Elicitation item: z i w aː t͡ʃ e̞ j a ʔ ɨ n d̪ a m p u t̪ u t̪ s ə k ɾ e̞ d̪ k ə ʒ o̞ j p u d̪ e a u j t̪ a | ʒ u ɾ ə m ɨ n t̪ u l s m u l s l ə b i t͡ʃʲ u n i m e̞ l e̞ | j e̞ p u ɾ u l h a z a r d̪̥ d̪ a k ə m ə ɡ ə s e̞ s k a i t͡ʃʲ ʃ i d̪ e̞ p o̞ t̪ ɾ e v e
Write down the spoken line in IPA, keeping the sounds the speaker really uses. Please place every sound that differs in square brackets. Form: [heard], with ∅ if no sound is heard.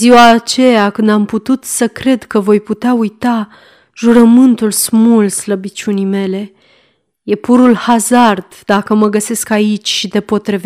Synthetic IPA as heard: z i w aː t͡ʃ e̞ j a [k] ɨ n d̪ a m p u t̪ u t̪ s ə k ɾ e̞ d̪ k ə [v] o̞ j p u [t̪] e a u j t̪ a | ʒ u ɾ ə m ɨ n t̪ u l s m u l s l ə b i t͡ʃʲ u n i m e̞ l e̞ | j e̞ p u ɾ u l h a z a r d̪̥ d̪ a k ə m ə ɡ ə s e̞ s k a i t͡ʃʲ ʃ i d̪ e̞ p o̞ t̪ ɾ e v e